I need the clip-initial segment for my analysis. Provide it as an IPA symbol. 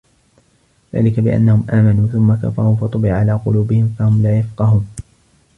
ð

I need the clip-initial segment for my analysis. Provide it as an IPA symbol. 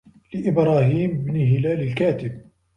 l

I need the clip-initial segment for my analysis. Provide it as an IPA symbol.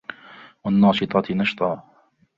w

